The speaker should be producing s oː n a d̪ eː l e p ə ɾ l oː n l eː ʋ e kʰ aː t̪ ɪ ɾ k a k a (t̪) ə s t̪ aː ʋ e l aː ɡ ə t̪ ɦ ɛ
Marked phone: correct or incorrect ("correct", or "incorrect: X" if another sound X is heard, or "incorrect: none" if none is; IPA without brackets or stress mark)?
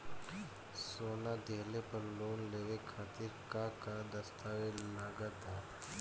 incorrect: d̪